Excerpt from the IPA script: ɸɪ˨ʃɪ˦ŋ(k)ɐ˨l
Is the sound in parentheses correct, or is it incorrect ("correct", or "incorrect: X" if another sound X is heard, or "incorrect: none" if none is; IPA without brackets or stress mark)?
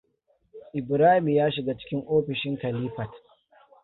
correct